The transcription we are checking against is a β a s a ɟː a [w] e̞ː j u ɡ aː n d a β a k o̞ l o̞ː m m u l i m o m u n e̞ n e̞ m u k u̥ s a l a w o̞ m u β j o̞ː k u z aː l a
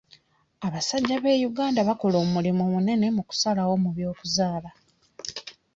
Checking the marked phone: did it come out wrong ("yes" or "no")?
yes